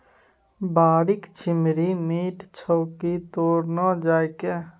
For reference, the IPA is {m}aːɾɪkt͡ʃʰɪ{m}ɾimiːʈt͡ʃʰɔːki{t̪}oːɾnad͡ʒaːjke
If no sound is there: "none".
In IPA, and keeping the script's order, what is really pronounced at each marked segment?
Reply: b, m, t̪

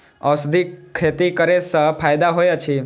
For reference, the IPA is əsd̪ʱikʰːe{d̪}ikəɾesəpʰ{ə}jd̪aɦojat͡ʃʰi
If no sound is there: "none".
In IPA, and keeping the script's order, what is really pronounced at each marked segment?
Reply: t̪, a

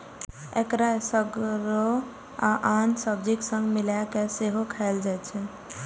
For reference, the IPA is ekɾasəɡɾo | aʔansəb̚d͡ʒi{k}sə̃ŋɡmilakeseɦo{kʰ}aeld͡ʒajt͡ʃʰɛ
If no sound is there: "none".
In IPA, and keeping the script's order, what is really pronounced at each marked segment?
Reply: k, kʰ

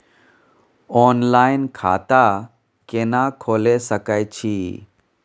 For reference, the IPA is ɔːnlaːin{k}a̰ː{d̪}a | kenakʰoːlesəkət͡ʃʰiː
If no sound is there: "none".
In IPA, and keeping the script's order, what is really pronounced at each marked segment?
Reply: kʰ, t̪

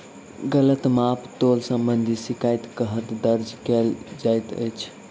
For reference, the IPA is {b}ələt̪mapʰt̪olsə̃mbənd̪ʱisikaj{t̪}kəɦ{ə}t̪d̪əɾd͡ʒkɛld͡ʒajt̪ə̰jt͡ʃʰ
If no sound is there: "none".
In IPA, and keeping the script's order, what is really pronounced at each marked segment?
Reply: ɡ, t̪, ə

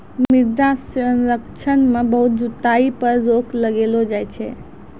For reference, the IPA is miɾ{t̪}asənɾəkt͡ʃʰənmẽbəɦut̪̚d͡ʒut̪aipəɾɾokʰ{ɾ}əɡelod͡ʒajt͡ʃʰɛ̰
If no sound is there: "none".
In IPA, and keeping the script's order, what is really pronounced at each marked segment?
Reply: d̪, l

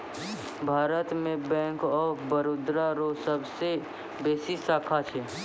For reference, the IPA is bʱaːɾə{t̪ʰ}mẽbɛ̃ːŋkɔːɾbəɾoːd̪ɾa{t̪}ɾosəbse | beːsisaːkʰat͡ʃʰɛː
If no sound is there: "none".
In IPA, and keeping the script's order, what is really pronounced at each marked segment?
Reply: t̪, none

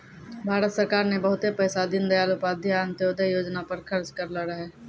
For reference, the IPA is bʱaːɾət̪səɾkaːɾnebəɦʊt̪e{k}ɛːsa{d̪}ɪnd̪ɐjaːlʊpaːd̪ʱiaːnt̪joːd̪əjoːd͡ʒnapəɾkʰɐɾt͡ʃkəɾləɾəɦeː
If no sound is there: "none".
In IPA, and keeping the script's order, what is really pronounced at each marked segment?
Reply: p, d̪

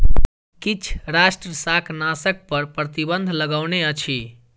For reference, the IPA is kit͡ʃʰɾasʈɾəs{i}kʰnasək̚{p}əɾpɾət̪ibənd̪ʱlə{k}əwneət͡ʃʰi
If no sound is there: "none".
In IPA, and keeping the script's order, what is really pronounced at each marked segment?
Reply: a, p, ɡ

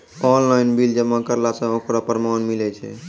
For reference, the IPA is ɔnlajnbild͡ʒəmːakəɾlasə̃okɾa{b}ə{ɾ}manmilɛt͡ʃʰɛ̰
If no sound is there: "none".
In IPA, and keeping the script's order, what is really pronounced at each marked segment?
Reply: p, ɾ

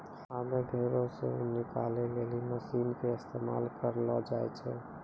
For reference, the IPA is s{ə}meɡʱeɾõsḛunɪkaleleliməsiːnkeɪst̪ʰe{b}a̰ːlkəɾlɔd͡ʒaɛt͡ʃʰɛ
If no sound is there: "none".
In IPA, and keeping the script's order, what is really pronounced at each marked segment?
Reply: a, m

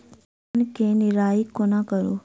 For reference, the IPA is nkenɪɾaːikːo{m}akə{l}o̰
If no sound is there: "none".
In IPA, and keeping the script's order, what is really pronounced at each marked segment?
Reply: n, ɾ

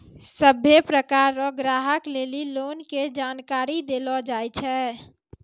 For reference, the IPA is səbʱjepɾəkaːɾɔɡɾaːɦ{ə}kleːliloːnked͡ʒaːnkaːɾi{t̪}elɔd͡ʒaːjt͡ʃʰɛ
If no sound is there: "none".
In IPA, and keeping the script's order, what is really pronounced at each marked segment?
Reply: ə, d̪

